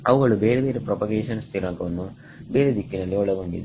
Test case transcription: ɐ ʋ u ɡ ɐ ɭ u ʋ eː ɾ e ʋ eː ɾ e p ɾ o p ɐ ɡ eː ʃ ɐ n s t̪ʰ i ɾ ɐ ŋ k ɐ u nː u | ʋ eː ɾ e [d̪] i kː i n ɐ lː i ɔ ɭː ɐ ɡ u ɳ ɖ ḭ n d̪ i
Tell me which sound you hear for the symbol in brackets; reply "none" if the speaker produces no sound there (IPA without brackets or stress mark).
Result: d̪